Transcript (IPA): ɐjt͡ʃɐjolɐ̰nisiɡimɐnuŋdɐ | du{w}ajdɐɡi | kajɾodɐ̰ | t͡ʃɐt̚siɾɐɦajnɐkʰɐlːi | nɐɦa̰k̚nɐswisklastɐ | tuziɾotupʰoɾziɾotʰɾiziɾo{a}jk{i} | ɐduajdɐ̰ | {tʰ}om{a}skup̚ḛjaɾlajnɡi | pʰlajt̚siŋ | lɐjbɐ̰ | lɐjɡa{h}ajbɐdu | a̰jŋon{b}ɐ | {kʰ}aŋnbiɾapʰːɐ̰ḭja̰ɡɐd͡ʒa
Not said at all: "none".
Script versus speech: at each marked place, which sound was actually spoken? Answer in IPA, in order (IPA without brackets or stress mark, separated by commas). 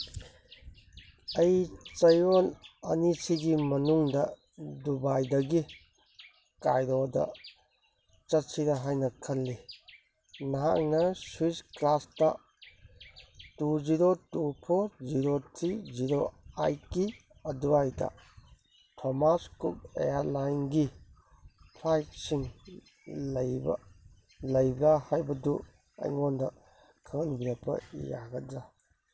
b, a, i, tʰ, a, h, d, kʰ